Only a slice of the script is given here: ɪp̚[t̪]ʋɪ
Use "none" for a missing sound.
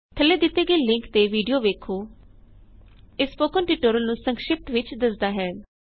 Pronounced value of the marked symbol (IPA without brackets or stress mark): t̪